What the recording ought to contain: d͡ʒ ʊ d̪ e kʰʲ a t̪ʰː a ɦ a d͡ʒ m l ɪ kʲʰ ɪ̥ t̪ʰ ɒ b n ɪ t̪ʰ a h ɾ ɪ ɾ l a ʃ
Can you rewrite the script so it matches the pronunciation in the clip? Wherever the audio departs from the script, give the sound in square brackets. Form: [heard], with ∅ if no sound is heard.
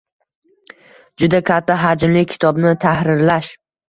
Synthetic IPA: d͡ʒ ʊ d̪ [a] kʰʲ a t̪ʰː a ɦ a d͡ʒ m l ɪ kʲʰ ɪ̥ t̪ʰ ɒ b n ɪ t̪ʰ a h ɾ ɪ ɾ l a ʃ